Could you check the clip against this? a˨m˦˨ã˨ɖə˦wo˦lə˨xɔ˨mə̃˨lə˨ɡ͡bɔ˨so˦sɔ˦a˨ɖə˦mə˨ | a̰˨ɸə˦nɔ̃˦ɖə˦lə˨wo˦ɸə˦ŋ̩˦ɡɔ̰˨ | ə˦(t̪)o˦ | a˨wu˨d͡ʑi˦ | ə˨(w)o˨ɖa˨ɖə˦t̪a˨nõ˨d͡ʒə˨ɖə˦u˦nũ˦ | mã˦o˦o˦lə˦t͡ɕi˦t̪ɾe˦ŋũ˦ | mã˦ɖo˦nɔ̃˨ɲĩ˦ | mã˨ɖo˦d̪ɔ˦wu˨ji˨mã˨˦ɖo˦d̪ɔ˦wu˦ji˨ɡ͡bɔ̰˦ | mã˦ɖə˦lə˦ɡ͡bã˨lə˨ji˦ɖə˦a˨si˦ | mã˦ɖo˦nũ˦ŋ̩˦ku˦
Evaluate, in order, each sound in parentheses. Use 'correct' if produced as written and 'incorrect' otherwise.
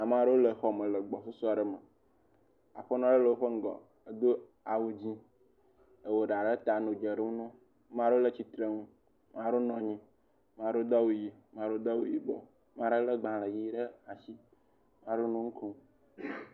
incorrect, correct

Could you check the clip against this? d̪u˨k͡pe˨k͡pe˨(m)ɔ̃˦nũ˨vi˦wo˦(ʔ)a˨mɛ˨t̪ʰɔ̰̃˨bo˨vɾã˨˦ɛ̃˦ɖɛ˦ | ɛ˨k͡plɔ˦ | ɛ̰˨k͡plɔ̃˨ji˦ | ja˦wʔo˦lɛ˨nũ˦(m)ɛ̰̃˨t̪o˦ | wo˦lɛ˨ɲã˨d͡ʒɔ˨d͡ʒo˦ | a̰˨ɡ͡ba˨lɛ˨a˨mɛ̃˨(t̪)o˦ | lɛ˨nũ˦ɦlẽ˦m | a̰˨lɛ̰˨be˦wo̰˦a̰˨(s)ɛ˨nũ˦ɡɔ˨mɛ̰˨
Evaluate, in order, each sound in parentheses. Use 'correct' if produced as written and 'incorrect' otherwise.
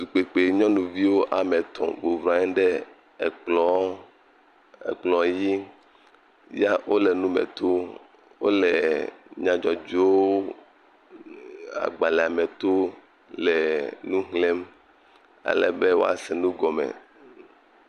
incorrect, correct, correct, correct, correct

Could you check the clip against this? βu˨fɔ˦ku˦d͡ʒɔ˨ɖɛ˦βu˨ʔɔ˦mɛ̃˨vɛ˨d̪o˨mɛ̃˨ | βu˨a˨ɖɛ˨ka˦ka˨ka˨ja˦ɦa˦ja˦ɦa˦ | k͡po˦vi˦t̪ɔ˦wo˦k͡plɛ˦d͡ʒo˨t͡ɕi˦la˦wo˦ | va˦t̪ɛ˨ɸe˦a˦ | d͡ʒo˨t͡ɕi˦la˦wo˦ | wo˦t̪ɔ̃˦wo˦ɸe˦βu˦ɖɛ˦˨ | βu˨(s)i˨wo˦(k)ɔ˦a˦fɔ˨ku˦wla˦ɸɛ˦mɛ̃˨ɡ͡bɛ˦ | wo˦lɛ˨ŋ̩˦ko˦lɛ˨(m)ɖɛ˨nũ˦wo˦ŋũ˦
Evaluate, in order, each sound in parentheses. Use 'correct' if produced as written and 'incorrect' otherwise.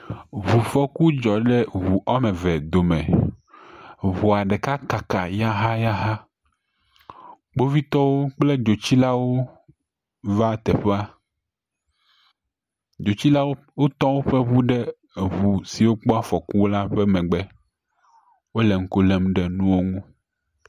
correct, incorrect, correct

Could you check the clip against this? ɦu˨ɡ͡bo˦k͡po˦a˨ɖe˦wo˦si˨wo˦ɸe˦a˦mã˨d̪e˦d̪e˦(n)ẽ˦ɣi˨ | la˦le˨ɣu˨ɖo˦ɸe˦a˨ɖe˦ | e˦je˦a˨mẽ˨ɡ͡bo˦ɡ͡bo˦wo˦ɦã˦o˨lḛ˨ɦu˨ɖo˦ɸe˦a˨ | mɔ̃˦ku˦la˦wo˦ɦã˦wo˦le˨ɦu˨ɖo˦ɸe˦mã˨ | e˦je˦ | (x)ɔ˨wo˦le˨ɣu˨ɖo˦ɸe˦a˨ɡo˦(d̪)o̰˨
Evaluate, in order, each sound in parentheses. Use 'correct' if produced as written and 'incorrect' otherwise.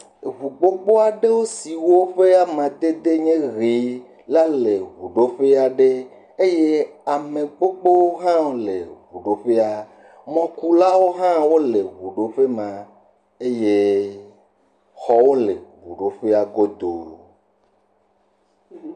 incorrect, correct, correct

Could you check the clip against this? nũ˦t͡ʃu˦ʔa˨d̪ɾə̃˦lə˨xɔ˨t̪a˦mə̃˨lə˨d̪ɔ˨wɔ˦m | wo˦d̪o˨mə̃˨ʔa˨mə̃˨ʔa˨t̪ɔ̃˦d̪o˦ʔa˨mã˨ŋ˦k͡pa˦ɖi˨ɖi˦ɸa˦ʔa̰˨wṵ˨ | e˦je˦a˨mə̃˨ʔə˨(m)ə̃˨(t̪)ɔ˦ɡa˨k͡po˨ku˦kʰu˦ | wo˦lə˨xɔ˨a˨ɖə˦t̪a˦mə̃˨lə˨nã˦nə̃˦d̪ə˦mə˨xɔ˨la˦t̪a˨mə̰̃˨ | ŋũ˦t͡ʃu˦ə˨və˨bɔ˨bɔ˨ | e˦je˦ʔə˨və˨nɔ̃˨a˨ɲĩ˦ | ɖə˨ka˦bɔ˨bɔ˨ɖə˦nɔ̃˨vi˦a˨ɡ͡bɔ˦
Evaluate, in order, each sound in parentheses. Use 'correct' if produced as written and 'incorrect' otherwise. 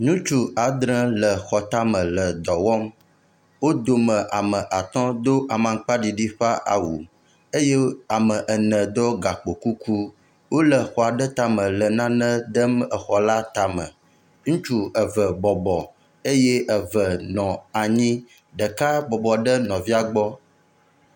incorrect, incorrect

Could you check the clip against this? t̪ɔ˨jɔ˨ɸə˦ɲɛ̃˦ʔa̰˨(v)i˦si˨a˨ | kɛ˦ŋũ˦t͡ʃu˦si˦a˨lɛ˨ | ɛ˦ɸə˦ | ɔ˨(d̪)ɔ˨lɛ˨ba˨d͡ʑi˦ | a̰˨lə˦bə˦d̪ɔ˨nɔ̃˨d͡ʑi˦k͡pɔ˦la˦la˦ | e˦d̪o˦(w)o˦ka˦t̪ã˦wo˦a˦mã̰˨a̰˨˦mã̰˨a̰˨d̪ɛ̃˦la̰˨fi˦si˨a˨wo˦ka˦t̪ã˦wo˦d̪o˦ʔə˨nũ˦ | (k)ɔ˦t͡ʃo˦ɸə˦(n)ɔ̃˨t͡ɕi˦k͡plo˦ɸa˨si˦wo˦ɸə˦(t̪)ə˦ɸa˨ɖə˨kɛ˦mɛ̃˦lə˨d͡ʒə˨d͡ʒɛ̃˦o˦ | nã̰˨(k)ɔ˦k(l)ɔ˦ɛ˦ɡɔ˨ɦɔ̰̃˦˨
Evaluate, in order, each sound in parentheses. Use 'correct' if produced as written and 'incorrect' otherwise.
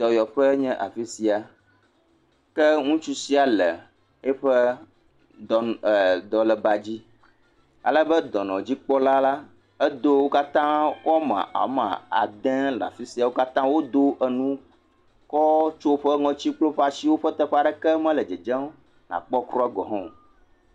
incorrect, correct, correct, correct, incorrect, correct, incorrect, incorrect

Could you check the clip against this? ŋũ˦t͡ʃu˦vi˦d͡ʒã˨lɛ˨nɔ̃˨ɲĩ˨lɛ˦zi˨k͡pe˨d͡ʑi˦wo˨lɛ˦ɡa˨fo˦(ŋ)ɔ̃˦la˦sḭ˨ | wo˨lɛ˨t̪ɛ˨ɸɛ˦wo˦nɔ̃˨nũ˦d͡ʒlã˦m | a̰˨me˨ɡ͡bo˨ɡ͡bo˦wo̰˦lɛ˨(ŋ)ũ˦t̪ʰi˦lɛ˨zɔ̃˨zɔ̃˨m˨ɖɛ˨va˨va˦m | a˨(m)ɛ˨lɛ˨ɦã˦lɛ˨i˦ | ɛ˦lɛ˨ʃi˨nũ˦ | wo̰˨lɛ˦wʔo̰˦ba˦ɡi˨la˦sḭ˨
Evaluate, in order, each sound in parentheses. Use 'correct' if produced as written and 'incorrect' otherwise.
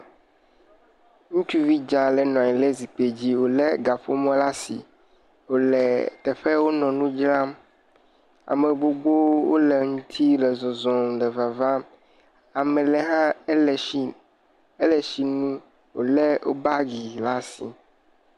incorrect, correct, correct

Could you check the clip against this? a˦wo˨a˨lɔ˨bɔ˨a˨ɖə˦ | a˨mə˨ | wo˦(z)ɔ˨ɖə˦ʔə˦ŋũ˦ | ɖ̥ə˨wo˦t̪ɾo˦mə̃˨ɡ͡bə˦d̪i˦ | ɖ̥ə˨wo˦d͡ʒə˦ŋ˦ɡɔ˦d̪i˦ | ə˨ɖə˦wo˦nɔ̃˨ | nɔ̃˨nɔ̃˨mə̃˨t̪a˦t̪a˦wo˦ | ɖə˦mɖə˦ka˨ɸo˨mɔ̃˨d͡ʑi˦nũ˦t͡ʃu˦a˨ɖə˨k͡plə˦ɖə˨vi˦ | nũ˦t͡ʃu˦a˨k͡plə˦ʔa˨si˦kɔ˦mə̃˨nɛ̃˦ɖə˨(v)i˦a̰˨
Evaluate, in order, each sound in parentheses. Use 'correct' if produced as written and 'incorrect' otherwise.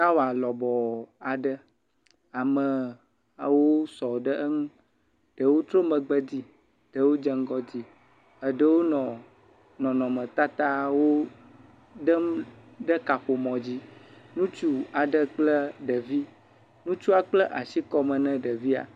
incorrect, correct

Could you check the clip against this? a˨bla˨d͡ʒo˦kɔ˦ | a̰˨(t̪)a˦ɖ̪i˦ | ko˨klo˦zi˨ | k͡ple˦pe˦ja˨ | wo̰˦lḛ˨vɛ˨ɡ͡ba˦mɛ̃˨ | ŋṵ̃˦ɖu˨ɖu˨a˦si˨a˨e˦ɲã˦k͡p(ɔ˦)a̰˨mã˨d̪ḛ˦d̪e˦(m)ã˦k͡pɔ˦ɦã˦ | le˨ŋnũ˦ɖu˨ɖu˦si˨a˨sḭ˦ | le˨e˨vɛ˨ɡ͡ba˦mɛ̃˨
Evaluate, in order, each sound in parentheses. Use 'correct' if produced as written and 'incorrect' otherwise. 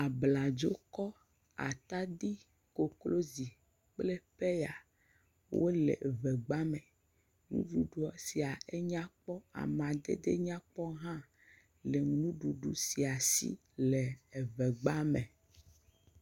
correct, correct, incorrect

